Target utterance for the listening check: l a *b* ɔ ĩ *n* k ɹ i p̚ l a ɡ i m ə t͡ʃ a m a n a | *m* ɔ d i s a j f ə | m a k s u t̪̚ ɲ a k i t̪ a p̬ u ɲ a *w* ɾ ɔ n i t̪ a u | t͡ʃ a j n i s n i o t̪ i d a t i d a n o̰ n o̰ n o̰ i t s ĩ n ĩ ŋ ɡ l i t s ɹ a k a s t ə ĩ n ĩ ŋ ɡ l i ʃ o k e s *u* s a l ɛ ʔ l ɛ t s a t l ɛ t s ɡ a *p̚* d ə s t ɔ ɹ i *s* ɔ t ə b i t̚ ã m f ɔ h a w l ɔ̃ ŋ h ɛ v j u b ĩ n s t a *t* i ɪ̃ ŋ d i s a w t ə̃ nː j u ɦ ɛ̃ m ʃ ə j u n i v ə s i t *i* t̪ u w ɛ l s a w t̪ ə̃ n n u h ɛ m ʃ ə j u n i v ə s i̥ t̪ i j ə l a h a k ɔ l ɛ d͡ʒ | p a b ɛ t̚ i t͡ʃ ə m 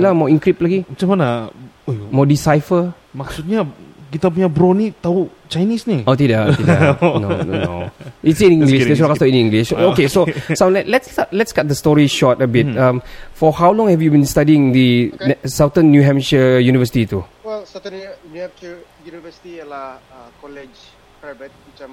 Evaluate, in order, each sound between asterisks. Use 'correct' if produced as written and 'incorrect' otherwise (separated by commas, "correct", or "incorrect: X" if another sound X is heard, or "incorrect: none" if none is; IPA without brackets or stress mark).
incorrect: m, incorrect: ŋ, correct, incorrect: b, incorrect: o, incorrect: t̚, incorrect: ʃ, incorrect: d, correct